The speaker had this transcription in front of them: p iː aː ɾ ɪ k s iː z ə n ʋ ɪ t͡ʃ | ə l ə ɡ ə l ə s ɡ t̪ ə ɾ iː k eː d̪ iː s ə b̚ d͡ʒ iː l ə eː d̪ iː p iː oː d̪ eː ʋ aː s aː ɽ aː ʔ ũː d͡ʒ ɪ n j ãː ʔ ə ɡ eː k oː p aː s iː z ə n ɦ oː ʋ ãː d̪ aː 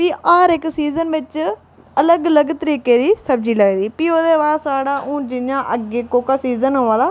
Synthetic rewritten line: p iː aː ɾ ɪ k s iː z ə n ʋ ɪ t͡ʃ | ə l ə ɡ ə l ə ɡ t̪ ə ɾ iː k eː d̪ iː s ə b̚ d͡ʒ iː l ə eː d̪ iː p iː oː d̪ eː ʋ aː s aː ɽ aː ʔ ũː d͡ʒ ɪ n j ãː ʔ ə ɡ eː k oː k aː s iː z ə n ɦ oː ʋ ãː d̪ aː

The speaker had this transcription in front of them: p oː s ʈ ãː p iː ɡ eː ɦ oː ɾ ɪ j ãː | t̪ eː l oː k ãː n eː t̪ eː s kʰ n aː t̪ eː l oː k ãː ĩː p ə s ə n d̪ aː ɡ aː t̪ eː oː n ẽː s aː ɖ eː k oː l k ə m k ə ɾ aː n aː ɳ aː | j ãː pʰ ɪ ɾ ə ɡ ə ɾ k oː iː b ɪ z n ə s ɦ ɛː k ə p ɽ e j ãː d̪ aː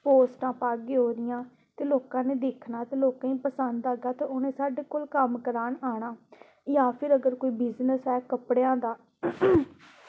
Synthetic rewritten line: p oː s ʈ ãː p aː ɡ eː ɦ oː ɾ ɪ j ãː | t̪ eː l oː k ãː n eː d̪ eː kʰ n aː t̪ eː l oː k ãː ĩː p ə s ə n d̪ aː ɡ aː t̪ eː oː n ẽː s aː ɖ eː k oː l k ə m k ə ɾ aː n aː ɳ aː | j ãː pʰ ɪ ɾ ə ɡ ə ɾ k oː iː b ɪ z n ə s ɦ ɛː k ə p ɽ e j ãː d̪ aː

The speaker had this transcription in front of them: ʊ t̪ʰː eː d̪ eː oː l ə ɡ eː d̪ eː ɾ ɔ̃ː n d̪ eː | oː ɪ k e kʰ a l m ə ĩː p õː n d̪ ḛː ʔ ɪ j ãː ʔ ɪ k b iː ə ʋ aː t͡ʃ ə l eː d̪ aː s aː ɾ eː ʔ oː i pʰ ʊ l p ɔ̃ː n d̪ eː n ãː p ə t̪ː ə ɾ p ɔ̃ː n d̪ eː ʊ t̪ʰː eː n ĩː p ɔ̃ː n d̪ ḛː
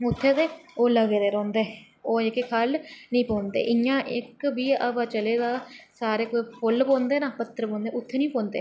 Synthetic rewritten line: ʊ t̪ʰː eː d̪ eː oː l ə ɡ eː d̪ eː ɾ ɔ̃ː n d̪ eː | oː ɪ k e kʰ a l n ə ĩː p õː n d̪ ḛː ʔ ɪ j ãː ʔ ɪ k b iː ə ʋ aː t͡ʃ ə l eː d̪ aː s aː ɾ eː k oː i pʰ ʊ l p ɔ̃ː n d̪ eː n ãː p ə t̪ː ə ɾ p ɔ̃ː n d̪ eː ʊ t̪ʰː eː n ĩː p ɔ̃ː n d̪ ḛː

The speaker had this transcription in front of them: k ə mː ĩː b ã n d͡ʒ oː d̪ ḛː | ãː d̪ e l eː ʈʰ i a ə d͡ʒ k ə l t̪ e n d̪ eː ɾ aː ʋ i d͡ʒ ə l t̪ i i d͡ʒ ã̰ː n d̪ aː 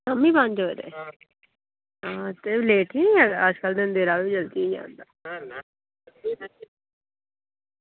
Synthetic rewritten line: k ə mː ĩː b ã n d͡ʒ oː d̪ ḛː | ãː t̪ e l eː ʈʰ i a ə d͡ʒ k ə l d̪ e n d̪ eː ɾ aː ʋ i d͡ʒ ə l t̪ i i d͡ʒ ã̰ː n d̪ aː

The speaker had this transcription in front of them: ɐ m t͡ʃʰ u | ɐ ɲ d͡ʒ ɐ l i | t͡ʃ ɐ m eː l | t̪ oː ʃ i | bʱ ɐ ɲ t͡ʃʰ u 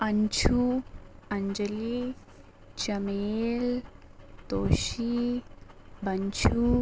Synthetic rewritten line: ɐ ɲ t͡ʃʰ u | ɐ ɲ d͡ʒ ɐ l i | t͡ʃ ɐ m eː l | t̪ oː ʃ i | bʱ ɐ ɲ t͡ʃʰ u

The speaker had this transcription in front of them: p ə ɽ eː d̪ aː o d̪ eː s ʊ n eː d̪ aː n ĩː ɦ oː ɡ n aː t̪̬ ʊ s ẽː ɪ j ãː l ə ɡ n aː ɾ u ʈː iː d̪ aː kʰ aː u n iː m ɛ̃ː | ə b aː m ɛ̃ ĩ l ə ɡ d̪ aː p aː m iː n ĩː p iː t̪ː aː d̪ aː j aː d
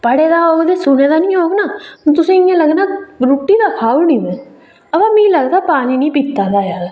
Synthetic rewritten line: p ə ɽ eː d̪ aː o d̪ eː s ʊ n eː d̪ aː n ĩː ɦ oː ɡ n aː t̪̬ ʊ s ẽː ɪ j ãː l ə ɡ n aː ɾ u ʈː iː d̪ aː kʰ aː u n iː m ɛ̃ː | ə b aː m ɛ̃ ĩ l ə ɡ d̪ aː p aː n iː n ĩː p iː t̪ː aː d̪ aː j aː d

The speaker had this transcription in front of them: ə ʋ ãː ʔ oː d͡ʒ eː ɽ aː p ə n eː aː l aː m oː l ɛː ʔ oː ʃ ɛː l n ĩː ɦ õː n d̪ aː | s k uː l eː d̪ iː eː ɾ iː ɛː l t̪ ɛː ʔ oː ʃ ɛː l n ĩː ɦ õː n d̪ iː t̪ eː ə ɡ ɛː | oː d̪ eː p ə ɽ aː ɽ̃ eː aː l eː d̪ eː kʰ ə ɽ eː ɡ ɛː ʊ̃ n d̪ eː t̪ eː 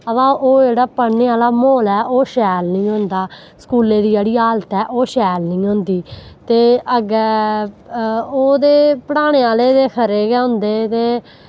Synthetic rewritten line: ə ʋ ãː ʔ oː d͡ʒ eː ɽ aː p ə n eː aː l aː m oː l ɛː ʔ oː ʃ ɛː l n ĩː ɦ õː n d̪ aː | s k uː l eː d̪ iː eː ɽ iː aː l t̪ ɛː ʔ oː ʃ ɛː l n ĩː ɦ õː n d̪ iː t̪ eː ə ɡ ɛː | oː d̪ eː p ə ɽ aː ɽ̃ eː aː l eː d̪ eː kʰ ə ɾ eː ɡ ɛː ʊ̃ n d̪ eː t̪ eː

